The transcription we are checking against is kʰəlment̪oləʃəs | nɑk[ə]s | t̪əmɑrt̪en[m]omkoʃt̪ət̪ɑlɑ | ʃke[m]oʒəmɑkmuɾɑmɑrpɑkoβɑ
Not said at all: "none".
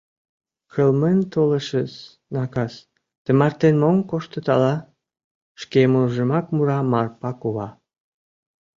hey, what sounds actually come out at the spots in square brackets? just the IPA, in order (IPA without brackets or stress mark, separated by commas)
ɑ, m, m